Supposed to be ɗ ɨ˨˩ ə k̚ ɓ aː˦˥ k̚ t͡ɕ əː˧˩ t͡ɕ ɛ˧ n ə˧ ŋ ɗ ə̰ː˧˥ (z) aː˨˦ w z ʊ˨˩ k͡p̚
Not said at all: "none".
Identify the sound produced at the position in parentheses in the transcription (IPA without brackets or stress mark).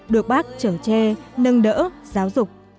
z